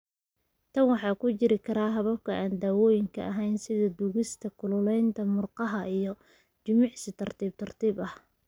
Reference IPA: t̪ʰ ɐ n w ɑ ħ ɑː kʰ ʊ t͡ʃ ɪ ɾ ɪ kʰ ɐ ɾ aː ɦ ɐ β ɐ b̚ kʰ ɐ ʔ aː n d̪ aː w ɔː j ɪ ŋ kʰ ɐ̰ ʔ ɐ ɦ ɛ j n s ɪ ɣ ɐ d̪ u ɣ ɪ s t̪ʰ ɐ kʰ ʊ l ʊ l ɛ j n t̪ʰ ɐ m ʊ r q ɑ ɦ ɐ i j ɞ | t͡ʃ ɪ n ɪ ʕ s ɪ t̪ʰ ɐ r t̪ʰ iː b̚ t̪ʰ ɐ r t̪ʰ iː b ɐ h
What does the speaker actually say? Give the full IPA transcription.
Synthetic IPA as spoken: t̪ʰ ɐ n w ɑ ħ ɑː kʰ ʊ t͡ʃ ɪ ɾ ɪ kʰ ɐ ɾ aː ɦ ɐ β ɐ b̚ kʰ ɐ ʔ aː n d̪ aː w ɔː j ɪ ŋ kʰ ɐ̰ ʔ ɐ ɦ ɛ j n s ɪ ð ɐ d̪ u ɣ ɪ s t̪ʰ ɐ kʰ ʊ l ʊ l ɛ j n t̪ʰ ɐ m ʊ r q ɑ ɦ ɐ i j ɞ | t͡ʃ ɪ m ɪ ʕ s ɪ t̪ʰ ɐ r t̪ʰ iː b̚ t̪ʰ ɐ r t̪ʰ iː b ɐ h